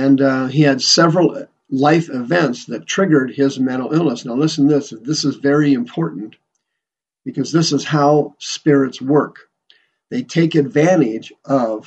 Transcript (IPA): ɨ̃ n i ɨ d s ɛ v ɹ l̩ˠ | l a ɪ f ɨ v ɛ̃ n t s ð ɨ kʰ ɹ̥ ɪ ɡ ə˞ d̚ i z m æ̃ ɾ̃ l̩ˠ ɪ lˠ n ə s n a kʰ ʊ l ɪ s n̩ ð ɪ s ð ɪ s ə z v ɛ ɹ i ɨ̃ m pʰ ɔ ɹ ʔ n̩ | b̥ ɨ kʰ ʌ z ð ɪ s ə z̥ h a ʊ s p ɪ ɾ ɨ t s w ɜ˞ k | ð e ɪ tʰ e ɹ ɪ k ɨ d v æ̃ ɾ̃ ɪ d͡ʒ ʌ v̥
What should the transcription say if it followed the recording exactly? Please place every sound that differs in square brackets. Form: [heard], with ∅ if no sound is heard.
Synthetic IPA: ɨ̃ n i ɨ d s ɛ v ɹ l̩ˠ | l a ɪ f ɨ v ɛ̃ n t s ð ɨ [tʰ] ɹ̥ ɪ ɡ ə˞ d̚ [ɪ] z m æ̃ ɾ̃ l̩ˠ ɪ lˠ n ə s n a [∅] ʊ l ɪ s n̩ ð ɪ s ð ɪ s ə z v ɛ ɹ i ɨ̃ m pʰ ɔ ɹ ʔ n̩ | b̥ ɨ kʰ ʌ z ð ɪ s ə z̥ h a ʊ s p ɪ [ɹ] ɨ t s w ɜ˞ k | ð e ɪ tʰ e [∅] ɪ k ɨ d v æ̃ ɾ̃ ɪ d͡ʒ ʌ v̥